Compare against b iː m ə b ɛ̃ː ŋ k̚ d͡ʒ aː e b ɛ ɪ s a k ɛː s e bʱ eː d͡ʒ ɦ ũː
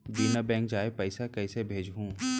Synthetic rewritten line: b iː n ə b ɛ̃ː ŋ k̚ d͡ʒ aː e p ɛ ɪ s a k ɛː s e bʱ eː d͡ʒ ɦ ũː